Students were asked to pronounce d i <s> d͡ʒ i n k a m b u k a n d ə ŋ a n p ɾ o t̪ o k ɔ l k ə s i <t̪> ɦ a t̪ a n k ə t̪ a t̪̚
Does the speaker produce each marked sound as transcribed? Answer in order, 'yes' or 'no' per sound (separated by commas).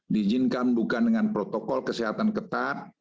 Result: no, no